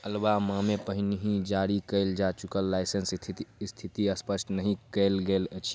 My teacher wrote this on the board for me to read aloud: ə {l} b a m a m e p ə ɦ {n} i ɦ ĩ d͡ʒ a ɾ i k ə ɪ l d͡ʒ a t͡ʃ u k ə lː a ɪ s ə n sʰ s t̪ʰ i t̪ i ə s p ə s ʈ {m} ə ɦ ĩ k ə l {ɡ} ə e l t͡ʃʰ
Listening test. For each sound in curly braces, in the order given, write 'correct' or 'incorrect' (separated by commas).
correct, correct, incorrect, correct